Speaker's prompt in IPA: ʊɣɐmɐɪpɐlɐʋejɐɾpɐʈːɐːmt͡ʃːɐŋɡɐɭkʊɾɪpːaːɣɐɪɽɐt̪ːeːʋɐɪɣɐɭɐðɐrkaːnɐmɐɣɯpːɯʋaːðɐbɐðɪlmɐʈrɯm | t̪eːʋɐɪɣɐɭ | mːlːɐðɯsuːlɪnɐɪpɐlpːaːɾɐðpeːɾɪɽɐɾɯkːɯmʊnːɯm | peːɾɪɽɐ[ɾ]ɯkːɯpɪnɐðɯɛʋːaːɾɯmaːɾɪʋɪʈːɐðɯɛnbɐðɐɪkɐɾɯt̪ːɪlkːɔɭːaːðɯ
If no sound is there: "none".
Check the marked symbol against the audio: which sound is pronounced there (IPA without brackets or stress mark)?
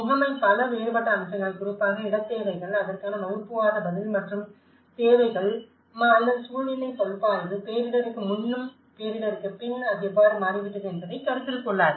ɾ